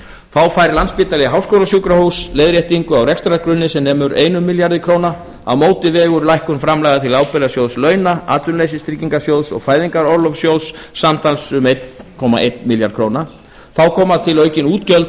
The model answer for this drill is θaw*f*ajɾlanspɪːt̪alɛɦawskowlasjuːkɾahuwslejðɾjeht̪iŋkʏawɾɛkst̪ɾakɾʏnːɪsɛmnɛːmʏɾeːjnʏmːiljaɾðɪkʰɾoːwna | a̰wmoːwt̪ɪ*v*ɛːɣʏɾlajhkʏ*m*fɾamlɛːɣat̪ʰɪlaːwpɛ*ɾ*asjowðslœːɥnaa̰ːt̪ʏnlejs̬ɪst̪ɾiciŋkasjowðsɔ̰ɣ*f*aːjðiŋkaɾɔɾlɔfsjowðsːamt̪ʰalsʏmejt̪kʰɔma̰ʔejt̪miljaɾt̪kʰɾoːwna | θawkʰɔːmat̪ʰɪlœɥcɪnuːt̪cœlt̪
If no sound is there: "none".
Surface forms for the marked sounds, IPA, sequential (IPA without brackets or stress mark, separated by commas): f, v, n, l, f